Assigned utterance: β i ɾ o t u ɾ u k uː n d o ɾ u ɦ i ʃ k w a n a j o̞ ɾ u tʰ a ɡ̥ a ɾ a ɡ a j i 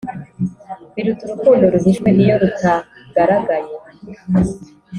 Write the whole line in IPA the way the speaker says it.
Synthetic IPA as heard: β i ɾ u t u ɾ u k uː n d o ɾ u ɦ i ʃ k w e n i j o̞ ɾ u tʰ a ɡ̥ a ɾ a ɡ a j e